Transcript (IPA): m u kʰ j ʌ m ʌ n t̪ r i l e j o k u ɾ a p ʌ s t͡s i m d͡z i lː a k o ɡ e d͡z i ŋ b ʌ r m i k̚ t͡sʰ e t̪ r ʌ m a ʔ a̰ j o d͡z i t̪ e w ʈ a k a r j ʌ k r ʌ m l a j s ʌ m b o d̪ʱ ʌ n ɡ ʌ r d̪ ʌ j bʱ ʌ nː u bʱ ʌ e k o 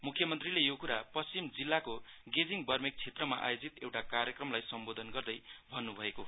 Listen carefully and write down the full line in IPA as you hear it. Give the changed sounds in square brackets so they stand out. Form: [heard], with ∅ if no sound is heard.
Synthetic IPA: m u kʰ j ʌ m ʌ n t̪ r i l e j o k u ɾ a p ʌ s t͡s i m d͡z i lː a k o ɡ e d͡z i ŋ b ʌ r m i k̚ t͡sʰ e t̪ r ʌ m a ʔ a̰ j o d͡z i t̪ e w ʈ a k a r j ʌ k r ʌ m l a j s ʌ m b o d̪ʱ ʌ n ɡ ʌ r d̪ ʌ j bʱ ʌ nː u bʱ ʌ e k o